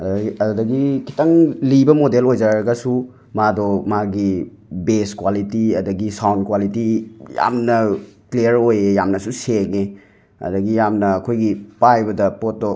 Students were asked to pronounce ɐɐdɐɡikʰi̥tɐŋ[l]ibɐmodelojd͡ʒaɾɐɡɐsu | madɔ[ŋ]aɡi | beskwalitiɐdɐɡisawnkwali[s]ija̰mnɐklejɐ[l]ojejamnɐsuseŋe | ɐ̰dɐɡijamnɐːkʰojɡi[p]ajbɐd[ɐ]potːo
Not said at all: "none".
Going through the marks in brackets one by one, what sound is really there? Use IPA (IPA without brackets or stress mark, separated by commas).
l, m, t, ɾ, p, ɐ